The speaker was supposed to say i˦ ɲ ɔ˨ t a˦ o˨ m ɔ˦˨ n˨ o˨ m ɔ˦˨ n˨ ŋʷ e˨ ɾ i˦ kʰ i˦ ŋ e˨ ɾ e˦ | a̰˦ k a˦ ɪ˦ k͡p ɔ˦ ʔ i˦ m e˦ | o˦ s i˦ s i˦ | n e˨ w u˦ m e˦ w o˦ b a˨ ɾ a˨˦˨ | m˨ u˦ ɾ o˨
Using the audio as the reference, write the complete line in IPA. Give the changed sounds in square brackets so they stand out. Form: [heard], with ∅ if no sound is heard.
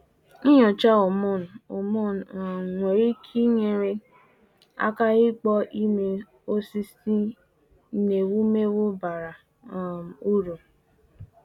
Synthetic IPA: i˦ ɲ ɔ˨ [t͡ʃ] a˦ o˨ m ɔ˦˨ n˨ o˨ m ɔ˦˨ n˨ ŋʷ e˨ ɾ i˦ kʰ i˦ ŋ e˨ ɾ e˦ | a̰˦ k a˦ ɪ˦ k͡p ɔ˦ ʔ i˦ m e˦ | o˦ s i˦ s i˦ | n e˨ w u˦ m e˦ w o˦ b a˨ ɾ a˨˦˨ | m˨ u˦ ɾ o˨